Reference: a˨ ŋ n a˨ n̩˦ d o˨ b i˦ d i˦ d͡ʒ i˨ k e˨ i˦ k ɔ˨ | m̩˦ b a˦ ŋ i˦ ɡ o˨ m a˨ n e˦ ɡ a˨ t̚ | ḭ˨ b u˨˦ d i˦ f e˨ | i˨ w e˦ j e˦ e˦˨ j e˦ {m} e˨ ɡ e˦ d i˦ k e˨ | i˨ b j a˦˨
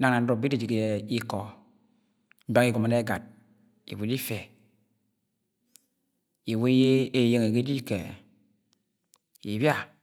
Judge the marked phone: incorrect: ŋ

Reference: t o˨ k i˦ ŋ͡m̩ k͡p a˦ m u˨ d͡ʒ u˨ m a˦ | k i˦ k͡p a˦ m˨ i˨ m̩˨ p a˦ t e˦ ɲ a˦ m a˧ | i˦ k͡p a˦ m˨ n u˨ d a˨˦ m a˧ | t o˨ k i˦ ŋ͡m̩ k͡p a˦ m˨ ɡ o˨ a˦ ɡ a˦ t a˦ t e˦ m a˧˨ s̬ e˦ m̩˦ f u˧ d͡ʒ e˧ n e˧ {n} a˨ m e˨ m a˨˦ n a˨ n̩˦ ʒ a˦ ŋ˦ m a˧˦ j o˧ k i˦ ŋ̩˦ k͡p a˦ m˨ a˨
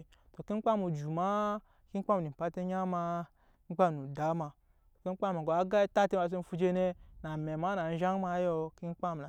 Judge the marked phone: correct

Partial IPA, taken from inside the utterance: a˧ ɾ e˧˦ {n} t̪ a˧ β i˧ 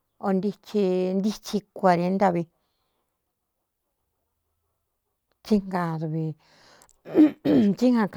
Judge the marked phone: correct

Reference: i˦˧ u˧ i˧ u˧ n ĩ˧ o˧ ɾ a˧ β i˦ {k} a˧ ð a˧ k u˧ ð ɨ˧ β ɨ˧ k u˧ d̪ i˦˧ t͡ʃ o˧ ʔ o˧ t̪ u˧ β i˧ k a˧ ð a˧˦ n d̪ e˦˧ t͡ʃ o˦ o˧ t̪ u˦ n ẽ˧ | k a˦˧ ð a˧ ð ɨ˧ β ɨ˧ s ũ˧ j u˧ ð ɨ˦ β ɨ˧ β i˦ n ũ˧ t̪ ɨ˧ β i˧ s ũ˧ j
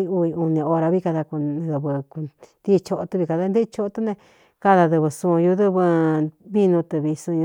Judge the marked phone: correct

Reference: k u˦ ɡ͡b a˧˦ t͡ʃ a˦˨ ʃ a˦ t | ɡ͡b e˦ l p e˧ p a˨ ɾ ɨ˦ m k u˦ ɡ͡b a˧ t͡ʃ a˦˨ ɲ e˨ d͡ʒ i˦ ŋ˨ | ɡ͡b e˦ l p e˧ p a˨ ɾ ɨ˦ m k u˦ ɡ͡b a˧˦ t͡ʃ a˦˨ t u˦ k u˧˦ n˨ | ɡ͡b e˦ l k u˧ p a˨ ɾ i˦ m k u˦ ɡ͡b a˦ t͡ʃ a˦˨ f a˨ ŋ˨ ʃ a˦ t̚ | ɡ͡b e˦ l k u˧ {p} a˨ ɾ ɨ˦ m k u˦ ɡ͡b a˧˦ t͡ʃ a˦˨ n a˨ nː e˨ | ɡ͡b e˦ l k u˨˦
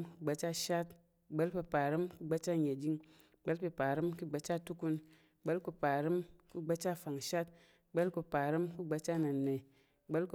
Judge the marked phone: correct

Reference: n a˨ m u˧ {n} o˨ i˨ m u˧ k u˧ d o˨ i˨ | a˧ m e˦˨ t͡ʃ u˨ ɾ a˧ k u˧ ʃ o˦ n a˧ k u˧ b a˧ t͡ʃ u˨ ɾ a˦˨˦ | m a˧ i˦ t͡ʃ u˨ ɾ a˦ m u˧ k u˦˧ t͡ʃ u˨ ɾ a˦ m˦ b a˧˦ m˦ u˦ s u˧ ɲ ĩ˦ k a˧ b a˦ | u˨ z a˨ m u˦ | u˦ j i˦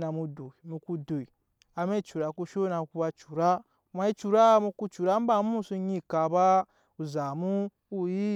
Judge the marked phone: incorrect: d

